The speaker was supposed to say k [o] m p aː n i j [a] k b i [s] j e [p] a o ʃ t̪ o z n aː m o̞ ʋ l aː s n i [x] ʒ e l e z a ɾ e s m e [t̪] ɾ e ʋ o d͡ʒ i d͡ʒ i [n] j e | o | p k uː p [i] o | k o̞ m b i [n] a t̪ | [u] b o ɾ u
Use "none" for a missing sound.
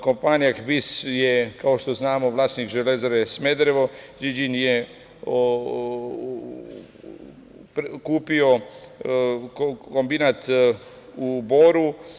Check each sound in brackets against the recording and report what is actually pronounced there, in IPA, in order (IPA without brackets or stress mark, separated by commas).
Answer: o, a, s, k, k, d̪, n, i, n, u